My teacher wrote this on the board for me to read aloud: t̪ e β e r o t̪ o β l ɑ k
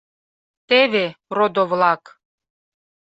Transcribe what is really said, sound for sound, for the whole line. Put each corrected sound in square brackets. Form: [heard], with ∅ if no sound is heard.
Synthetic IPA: t̪ e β e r o [d̪] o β l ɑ k